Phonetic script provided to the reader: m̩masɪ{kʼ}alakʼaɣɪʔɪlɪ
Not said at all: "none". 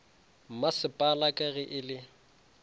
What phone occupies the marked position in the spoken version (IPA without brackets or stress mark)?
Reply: pʼ